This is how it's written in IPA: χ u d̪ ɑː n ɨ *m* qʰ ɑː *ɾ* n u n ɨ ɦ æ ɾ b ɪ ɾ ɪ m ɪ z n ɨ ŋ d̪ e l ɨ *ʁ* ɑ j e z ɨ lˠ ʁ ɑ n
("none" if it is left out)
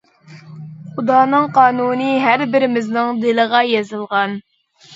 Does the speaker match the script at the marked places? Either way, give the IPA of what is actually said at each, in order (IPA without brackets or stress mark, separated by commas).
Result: ŋ, none, ʁ